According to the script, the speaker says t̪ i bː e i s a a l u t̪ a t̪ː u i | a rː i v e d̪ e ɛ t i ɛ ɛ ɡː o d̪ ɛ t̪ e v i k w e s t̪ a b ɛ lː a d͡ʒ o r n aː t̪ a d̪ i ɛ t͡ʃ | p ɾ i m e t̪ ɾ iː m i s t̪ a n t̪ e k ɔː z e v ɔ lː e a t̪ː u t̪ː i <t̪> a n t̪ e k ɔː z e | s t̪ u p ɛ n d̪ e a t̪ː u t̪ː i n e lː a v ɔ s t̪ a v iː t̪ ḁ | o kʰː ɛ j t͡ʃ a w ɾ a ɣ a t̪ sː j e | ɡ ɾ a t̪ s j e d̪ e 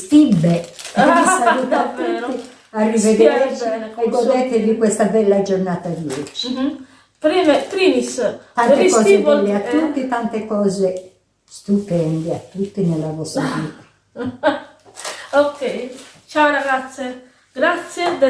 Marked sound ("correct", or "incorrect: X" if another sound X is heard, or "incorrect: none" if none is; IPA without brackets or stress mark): correct